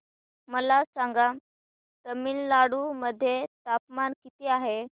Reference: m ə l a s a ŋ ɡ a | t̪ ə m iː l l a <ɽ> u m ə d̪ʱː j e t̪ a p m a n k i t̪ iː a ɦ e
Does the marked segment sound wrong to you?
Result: no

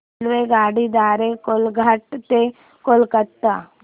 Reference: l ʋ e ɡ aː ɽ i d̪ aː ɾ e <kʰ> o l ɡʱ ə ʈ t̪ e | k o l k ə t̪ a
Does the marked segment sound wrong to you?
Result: yes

